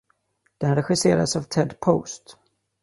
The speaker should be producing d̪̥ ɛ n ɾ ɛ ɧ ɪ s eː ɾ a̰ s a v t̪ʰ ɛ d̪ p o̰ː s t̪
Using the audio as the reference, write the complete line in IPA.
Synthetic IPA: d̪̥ ɛ n ɾ ɛ ɧ ɪ s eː ɾ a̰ s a v t̪ʰ ɛ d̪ pʰ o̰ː s t̪

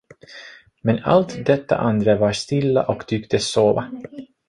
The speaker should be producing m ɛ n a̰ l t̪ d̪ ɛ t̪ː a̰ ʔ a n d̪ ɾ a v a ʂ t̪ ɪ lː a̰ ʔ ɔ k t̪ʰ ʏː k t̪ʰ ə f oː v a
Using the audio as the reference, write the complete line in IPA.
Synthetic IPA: m ɛ n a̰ l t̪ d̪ ɛ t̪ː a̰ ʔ a n d̪ ɾ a v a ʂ t̪ ɪ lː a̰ ʔ ɔ k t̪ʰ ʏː k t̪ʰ ə s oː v a

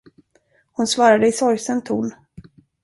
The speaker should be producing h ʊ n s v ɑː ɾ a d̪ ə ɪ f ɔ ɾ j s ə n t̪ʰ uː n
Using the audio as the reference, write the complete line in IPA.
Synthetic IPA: h ʊ n s v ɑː ɾ a d̪ ə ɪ s ɔ ɾ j s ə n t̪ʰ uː n

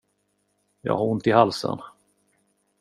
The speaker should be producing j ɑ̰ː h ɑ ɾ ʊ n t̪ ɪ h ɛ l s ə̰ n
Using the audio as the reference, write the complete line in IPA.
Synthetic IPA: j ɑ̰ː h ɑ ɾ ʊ n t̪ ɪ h a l s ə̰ n

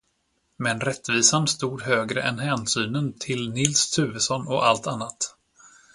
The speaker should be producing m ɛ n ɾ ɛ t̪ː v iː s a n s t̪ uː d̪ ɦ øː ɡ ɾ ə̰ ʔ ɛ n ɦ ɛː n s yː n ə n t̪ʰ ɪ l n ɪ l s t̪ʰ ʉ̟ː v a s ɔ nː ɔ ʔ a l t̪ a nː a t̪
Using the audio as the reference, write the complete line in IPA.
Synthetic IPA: m ɛ n ɾ ɛ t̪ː v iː s a n s t̪ uː d̪ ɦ øː ɡ ɾ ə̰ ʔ ɛ n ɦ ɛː n s yː n ə n t̪ʰ ɪ l n ɪ l s t̪ʰ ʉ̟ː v ə s ɔ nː ɔ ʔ a l t̪ a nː a t̪

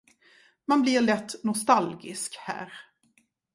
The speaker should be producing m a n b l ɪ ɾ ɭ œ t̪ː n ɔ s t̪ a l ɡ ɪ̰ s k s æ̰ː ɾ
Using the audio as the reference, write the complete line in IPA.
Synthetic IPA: m a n b l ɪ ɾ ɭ ɛ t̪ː n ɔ s t̪ a l ɡ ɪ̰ s k h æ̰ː ɾ

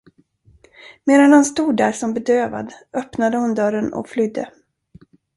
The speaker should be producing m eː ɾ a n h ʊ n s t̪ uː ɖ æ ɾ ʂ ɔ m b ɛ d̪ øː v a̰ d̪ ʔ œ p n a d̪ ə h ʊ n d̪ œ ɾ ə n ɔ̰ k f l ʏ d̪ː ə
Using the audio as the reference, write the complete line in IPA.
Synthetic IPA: m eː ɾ a n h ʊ n s t̪ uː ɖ æ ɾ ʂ ɔ m b ɛ d̪ øː v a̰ d̪ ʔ œ p n a d̪ ə h ʊ n d̪ œ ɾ ə n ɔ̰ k f l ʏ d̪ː ə

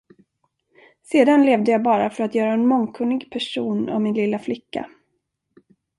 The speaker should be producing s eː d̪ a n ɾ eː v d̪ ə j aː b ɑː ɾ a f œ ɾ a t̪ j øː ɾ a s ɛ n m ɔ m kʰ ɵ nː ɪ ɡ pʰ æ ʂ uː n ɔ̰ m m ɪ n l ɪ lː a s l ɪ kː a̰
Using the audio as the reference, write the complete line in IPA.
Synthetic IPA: s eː d̪ a n l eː v d̪ ə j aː b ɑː ɾ a f œ ɾ a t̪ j œː ɾ a ɛ n m ɔ ŋ kʰ ɵ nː ɪ ɡ pʰ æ ʂ uː n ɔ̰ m m ɪ n l ɪ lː a f l ɪ kː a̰

